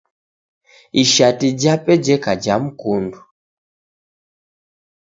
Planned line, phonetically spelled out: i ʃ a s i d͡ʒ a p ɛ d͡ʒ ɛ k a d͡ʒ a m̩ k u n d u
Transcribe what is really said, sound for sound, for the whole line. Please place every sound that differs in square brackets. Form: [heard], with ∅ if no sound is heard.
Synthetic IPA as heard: i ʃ a [t] i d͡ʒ a p ɛ d͡ʒ ɛ k a d͡ʒ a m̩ k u n d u